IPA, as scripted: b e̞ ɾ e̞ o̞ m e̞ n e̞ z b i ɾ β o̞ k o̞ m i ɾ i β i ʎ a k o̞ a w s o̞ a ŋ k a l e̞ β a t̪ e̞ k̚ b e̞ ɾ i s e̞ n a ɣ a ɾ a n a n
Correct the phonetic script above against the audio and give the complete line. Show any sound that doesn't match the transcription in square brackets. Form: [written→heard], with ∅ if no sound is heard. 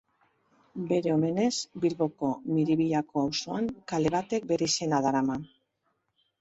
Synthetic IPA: b e̞ ɾ e̞ o̞ m e̞ n e̞ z b i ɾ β o̞ k o̞ m i ɾ i β i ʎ a k o̞ a w s o̞ a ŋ k a l e̞ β a t̪ e̞ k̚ b e̞ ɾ i s e̞ n a [ɣ→ð] a ɾ a [n→m] a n

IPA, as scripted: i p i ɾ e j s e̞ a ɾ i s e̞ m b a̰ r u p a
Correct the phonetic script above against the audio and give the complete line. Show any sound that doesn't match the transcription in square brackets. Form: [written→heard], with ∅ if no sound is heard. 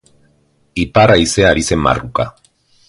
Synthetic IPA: i p [i→a] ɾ [e→a] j s e̞ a ɾ i s e̞ m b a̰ r u [p→k] a

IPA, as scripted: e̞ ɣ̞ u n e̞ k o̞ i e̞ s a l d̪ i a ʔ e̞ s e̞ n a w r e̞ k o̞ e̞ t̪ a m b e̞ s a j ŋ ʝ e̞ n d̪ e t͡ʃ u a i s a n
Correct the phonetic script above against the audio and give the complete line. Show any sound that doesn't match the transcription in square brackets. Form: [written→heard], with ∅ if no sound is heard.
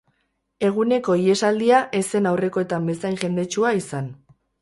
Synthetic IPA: e̞ ɣ̞ u n e̞ k o̞ i e̞ s a l d̪ i a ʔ e̞ s e̞ n a w r e̞ k o̞ e̞ t̪ a m b e̞ s a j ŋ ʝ e̞ n d̪ e t͡ʃ u a i s a n

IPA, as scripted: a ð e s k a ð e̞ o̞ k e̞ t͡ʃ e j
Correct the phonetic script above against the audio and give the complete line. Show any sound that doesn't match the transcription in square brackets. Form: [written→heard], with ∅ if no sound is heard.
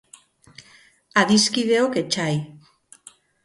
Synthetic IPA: a ð [e→i] s k [a→i] ð e̞ o̞ k e̞ t͡ʃ [e→a] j

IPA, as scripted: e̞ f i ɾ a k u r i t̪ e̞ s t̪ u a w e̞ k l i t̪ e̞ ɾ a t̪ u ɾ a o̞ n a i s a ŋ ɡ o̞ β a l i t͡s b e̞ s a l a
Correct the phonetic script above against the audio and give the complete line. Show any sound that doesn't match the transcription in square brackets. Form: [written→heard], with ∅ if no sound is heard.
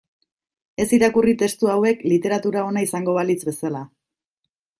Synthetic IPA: e̞ [f→s] i ɾ a k u r i t̪ e̞ s t̪ u a w e̞ k l i t̪ e̞ ɾ a t̪ u ɾ a o̞ n a i s a ŋ ɡ o̞ β a l i t͡s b e̞ s a l a

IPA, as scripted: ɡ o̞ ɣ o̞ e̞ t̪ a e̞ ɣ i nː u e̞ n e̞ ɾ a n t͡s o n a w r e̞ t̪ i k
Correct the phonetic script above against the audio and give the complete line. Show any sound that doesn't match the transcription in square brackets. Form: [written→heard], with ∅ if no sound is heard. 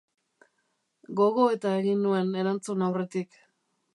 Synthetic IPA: ɡ o̞ ɣ o̞ e̞ t̪ a e̞ ɣ i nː u e̞ n e̞ ɾ a n t͡s [o→u] n a w r e̞ t̪ i k

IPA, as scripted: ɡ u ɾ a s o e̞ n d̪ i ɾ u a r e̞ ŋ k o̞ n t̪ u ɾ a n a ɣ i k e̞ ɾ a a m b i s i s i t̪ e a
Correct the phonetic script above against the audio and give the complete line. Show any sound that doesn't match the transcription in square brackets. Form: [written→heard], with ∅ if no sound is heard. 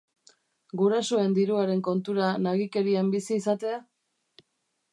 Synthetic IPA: ɡ u ɾ a s o e̞ n d̪ i ɾ u a [r→ɾ] e̞ ŋ k o̞ n t̪ u ɾ a n a ɣ i k e̞ ɾ [a→i] a m b i s [i→iː] s [i→a] t̪ e a

